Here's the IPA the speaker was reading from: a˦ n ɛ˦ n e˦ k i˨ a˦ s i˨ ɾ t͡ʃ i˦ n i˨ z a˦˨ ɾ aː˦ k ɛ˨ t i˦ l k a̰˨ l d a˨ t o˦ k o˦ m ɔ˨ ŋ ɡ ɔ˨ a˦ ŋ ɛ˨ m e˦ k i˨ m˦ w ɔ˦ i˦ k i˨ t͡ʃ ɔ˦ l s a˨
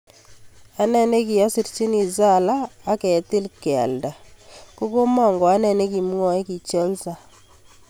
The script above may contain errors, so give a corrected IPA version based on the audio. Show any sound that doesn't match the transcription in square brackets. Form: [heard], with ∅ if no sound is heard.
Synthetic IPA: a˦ n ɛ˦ n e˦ k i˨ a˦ s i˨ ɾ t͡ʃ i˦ n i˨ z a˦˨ [l] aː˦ k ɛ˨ t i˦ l k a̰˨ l d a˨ [k] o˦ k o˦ m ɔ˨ ŋ ɡ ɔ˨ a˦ [n] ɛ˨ [n] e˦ k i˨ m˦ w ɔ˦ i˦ k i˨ t͡ʃ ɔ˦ l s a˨